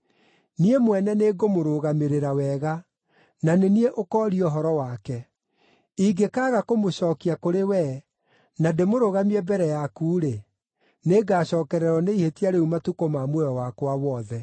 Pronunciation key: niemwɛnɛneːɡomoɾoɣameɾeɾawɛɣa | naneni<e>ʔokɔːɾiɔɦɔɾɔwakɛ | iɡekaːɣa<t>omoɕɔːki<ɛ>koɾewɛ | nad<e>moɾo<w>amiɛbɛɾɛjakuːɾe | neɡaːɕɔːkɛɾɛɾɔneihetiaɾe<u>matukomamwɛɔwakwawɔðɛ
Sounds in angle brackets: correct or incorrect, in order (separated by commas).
correct, incorrect, incorrect, correct, incorrect, correct